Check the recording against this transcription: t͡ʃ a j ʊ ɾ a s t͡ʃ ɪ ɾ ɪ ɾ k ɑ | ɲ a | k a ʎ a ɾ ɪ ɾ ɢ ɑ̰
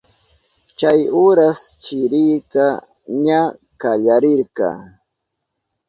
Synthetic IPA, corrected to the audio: t͡ʃ a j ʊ ɾ a s t͡ʃ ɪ ɾ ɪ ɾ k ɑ | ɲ a | k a ʎ a ɾ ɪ ɾ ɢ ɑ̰